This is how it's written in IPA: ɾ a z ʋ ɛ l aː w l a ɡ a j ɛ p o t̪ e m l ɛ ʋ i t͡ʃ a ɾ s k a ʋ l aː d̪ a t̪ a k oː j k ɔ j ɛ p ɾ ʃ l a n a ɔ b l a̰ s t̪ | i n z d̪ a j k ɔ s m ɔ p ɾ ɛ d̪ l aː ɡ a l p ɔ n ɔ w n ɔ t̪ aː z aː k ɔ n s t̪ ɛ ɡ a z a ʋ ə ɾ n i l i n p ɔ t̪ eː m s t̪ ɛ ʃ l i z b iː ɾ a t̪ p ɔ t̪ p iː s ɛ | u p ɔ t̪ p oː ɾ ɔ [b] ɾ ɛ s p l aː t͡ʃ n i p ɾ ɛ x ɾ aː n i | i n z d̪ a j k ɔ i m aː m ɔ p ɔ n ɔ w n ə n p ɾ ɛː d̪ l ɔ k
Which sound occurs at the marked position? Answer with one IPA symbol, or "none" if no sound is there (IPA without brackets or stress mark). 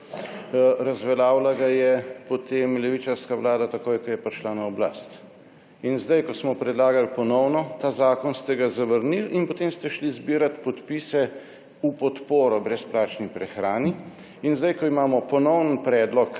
b